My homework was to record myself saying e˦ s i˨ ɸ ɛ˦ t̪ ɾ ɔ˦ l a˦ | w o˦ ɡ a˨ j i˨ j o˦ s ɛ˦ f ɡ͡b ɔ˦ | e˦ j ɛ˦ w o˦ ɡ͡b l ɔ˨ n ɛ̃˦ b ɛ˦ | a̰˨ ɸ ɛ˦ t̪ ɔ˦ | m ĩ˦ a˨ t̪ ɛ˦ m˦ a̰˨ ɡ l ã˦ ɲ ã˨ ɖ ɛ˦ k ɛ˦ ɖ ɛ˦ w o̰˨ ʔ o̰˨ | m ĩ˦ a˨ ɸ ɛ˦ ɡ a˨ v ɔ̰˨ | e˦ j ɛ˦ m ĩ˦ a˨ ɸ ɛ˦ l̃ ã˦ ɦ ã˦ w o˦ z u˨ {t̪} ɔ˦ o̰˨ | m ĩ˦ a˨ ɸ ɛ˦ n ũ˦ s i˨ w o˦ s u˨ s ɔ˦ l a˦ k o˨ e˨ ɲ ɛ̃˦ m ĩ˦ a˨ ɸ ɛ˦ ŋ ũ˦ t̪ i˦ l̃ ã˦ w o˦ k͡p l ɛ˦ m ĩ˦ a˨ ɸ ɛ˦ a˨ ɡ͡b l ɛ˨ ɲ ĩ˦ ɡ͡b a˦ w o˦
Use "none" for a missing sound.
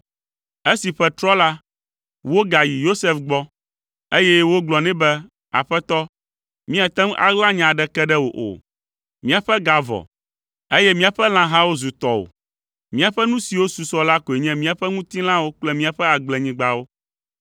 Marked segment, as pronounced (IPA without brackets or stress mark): t̪